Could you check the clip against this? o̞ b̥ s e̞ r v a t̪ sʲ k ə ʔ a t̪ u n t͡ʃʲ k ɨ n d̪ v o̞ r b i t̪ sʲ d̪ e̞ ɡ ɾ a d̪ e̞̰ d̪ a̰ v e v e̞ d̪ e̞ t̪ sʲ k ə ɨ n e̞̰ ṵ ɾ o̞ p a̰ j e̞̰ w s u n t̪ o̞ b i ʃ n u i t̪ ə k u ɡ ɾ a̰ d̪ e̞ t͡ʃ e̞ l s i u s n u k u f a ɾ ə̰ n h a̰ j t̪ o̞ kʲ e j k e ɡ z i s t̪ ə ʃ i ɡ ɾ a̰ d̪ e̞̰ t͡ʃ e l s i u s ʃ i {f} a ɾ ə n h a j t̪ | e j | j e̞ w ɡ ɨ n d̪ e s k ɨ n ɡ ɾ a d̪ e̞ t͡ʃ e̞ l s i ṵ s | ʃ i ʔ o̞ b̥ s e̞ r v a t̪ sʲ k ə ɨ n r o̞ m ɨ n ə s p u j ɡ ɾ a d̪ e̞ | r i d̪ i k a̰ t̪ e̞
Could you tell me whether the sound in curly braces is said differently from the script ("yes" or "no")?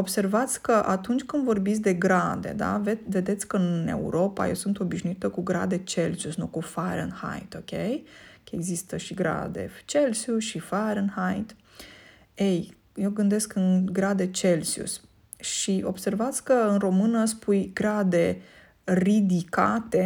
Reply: no